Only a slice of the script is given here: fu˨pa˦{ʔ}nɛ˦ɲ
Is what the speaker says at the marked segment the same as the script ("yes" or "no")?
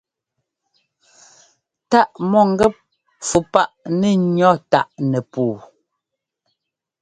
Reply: yes